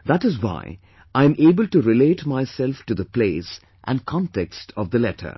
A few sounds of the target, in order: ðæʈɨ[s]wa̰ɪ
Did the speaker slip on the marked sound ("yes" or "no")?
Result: yes